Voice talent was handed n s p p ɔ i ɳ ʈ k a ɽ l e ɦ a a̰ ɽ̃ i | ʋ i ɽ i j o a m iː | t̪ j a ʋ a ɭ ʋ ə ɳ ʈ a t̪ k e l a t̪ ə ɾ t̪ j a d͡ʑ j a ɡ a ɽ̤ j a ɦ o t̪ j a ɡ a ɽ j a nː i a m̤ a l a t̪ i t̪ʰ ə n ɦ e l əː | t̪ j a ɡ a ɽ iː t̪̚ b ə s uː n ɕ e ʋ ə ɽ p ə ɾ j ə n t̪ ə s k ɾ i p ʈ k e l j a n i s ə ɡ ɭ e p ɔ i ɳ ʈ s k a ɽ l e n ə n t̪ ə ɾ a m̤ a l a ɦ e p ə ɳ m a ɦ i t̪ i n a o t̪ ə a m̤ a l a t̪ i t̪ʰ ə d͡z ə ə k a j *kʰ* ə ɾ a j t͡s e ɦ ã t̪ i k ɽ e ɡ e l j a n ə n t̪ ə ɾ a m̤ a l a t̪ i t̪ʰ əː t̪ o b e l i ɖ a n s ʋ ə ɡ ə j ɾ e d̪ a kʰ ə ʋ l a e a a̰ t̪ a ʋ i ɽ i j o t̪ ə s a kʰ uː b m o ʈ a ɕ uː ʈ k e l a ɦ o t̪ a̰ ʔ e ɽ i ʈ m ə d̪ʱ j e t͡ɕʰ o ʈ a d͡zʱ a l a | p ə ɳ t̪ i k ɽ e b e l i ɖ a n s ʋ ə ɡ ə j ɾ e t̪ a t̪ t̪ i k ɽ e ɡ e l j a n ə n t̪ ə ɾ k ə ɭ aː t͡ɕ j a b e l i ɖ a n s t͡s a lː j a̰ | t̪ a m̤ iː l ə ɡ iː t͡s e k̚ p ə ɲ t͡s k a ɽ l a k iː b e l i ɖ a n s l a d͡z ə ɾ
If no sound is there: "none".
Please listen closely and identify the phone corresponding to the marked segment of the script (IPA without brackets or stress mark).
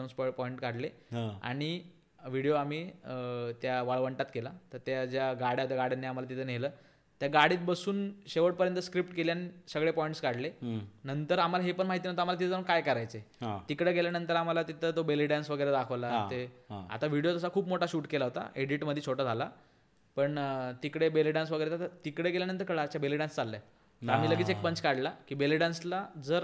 k